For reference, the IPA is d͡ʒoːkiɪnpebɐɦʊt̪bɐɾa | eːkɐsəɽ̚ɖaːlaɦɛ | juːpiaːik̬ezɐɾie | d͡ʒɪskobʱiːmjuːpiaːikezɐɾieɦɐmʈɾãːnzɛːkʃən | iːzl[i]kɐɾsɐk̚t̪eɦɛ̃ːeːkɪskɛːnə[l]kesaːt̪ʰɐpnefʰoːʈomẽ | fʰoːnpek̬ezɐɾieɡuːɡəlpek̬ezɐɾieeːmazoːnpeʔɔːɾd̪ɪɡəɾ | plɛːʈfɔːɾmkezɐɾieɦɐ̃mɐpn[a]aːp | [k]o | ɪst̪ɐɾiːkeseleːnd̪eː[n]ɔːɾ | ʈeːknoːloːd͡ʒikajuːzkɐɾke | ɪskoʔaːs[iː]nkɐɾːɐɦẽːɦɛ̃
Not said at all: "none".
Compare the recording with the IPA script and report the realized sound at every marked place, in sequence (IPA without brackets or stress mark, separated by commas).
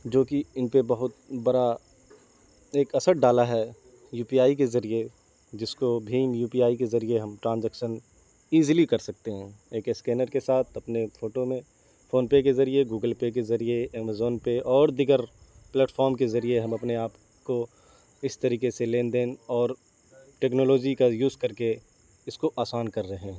i, ɾ, e, k, n, aː